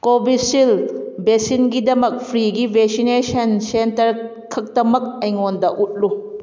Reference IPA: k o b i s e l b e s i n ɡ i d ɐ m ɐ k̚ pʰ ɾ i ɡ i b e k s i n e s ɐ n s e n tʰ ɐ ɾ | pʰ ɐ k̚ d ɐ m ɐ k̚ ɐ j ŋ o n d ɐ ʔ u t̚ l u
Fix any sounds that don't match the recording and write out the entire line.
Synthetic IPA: k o b i s i l b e s i n ɡ i d ɐ m ɐ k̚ pʰ ɾ i ɡ i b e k s i n e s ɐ n s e n t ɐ ɾ | kʰ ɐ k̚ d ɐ m ɐ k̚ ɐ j ŋ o n d ɐ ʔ u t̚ l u